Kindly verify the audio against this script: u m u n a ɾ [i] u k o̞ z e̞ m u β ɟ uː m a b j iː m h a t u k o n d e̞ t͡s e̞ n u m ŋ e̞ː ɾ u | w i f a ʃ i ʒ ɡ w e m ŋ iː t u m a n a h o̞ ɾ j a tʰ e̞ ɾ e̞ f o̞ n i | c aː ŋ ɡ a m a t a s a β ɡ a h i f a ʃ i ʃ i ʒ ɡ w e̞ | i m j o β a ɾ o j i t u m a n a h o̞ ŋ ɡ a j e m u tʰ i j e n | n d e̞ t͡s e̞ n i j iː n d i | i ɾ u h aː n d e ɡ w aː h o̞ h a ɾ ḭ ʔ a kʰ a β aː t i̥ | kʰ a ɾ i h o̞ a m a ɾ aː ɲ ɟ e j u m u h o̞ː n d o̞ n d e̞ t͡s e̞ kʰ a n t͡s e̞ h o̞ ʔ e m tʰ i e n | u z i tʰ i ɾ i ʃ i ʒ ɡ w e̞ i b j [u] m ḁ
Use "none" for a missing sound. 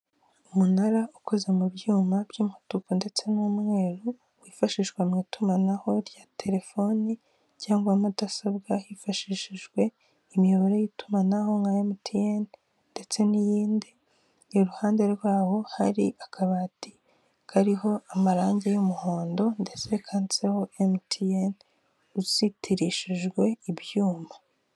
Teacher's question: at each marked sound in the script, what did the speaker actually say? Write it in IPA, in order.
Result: a, uː

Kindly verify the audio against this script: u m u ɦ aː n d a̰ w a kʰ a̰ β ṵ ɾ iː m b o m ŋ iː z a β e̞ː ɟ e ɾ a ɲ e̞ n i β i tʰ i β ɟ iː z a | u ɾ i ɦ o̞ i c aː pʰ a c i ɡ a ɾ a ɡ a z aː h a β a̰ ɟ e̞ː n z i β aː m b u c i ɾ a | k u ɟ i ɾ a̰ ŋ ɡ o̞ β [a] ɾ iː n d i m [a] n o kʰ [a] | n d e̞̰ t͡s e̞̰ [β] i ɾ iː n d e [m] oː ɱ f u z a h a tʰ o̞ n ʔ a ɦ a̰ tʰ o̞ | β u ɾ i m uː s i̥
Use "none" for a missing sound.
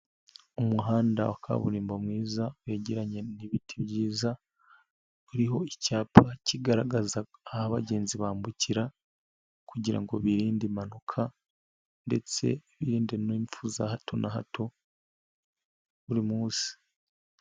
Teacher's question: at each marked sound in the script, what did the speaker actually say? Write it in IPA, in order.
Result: i, a, a, β, n

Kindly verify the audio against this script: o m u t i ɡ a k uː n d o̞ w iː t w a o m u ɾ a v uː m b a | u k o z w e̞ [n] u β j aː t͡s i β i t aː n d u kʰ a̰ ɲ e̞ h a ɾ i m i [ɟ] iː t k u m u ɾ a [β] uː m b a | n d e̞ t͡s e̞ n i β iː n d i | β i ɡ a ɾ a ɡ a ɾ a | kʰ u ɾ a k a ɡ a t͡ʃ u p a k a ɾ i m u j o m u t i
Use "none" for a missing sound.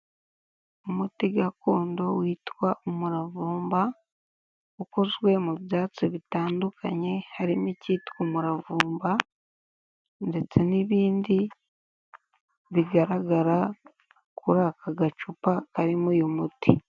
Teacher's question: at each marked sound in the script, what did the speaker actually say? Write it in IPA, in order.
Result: m, c, v

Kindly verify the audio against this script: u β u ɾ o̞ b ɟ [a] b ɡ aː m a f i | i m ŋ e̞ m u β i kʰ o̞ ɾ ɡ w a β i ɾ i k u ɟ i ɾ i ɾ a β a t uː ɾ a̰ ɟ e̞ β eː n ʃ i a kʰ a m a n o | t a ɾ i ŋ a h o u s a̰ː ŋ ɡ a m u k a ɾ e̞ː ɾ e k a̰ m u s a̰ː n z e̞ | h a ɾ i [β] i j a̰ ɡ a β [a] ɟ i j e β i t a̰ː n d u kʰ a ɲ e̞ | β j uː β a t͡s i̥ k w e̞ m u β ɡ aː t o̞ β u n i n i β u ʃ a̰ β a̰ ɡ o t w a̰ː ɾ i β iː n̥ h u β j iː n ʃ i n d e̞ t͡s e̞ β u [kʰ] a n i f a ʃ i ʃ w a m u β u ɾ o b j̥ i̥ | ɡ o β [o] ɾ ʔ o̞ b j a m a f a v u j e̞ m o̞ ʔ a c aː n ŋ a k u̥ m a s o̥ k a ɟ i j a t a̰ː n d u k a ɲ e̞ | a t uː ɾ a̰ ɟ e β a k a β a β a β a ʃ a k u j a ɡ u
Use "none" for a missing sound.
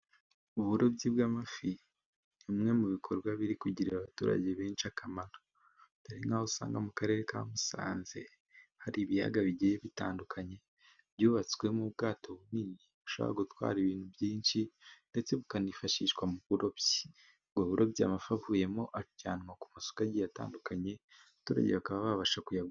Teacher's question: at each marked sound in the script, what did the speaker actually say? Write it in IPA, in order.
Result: i, β, i, k, u

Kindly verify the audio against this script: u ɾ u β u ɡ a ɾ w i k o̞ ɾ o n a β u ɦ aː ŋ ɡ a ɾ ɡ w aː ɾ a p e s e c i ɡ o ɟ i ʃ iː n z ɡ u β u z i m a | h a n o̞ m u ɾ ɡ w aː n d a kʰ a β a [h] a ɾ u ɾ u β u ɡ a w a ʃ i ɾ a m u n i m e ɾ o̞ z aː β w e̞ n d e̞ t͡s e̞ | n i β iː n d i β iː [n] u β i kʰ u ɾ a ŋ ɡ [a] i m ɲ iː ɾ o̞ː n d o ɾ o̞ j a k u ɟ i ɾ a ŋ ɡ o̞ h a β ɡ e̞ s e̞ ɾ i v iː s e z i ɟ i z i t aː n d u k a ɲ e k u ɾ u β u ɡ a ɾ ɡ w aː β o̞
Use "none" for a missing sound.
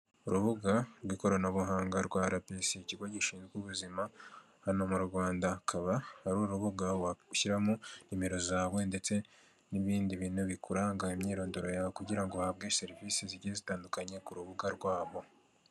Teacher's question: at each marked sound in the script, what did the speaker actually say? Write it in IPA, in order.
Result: h, n, a

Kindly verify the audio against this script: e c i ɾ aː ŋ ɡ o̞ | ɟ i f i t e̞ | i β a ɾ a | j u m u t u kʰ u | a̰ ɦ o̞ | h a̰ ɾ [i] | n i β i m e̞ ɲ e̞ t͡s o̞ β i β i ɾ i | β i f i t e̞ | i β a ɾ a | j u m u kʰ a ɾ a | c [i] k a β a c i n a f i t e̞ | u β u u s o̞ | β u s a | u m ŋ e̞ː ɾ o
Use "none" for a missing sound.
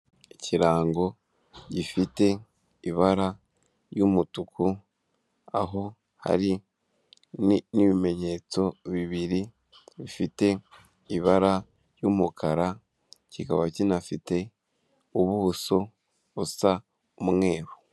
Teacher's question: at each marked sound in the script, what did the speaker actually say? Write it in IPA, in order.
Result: i, i

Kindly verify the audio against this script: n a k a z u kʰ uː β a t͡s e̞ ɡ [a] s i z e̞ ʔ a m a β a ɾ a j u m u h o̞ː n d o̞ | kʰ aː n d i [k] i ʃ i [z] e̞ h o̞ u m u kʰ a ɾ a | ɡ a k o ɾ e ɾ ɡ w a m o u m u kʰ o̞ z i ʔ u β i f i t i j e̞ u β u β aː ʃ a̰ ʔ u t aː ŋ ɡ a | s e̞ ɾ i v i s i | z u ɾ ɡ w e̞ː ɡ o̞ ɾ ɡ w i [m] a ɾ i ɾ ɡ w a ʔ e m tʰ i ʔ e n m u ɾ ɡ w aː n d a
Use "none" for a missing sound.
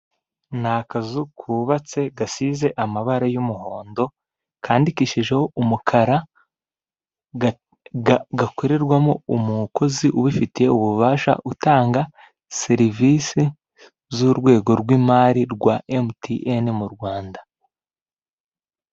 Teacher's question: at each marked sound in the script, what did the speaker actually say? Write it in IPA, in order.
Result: a, k, ʒ, m

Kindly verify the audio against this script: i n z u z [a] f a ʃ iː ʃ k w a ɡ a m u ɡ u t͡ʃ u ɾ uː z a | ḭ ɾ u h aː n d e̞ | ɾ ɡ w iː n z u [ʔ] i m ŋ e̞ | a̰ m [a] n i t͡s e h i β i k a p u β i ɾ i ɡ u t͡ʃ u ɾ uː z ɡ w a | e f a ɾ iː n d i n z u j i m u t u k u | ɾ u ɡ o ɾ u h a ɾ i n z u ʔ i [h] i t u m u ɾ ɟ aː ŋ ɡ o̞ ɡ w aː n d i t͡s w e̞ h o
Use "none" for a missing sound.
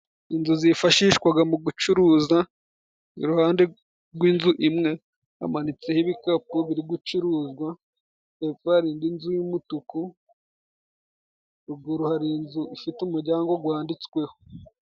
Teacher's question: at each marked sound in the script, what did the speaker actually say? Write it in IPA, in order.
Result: i, ʔ, a, f

